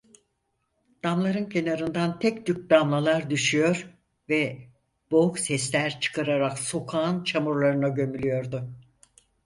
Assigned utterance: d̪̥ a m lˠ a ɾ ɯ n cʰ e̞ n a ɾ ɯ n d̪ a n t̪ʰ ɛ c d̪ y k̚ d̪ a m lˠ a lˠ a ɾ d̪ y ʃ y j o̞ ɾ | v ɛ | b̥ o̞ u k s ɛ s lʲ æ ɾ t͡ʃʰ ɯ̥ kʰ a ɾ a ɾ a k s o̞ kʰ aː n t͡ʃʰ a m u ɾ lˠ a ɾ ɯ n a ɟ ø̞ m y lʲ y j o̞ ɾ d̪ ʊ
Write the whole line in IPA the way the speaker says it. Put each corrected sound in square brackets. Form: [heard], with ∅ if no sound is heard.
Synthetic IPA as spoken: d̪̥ a m lˠ a ɾ ɯ n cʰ e̞ n a ɾ ɯ n d̪ a n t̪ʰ ɛ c d̪ y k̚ d̪ a m lˠ a lˠ a ɾ d̪ y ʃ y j o̞ ɾ | v ɛ | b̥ o̞ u k s ɛ s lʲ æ ɾ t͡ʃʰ ɯ̥ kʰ a ɾ a ɾ a k s o̞ kʰ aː n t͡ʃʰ a m u ɾ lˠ a ɾ ɯ n a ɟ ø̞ m y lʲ y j o̞ ɾ d̪ ʊ